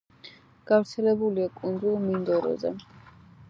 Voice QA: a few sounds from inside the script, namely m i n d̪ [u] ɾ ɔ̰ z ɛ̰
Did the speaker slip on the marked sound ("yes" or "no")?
yes